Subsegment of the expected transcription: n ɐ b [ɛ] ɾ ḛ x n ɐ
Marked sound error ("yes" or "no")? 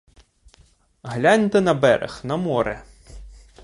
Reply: no